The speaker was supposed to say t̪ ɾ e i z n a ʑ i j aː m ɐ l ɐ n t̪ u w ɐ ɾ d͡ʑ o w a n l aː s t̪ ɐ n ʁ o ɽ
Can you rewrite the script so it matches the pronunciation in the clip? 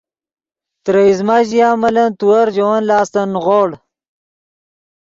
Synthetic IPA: t̪ ɾ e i z m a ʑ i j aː m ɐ l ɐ n t̪ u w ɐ ɾ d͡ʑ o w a n l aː s t̪ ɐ n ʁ o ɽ